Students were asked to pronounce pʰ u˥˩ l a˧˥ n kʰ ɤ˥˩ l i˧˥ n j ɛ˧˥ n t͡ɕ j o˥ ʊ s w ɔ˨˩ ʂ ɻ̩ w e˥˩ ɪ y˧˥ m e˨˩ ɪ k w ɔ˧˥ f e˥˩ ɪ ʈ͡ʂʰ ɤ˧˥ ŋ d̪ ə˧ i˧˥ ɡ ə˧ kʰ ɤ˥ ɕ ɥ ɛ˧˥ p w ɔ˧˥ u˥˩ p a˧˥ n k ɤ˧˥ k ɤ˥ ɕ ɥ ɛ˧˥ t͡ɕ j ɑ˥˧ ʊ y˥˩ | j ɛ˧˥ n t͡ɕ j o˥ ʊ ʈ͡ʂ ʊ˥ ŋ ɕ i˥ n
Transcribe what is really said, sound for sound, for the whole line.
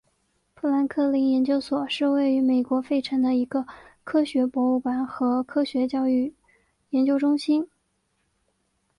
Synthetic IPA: pʰ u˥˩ l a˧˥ n kʰ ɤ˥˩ l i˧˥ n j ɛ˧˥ n t͡ɕ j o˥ ʊ s w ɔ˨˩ ʂ ɻ̩ w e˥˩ ɪ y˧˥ m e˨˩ ɪ k w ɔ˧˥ f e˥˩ ɪ ʈ͡ʂʰ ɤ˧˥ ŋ d̪ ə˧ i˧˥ ɡ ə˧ kʰ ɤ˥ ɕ ɥ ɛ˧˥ p w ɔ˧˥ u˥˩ p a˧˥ n x ɤ˧˥ kʰ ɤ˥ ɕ ɥ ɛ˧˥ t͡ɕ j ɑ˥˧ ʊ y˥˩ | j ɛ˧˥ n t͡ɕ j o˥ ʊ ʈ͡ʂ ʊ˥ ŋ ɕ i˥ n